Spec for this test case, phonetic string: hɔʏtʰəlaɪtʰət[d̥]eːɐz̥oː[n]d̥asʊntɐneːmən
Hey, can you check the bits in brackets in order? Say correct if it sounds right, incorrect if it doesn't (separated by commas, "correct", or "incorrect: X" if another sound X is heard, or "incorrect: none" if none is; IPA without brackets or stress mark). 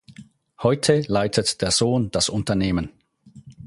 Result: correct, correct